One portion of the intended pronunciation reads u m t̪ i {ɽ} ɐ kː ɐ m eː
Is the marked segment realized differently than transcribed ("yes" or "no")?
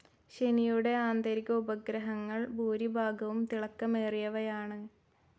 yes